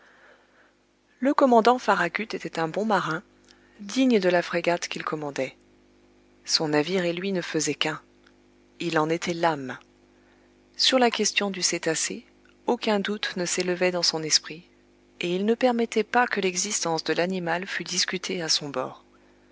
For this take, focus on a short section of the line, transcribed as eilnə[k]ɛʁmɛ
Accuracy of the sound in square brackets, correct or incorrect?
incorrect